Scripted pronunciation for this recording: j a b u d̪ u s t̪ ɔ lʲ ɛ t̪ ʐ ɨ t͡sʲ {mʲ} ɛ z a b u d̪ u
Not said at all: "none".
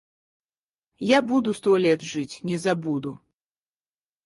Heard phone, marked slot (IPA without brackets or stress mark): nʲ